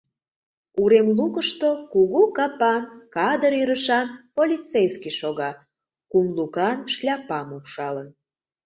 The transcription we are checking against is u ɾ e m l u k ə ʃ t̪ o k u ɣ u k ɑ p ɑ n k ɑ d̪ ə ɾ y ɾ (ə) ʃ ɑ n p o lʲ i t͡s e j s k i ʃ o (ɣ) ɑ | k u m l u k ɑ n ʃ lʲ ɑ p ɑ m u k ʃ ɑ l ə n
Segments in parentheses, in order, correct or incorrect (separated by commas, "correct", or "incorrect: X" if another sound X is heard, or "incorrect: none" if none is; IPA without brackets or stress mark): correct, correct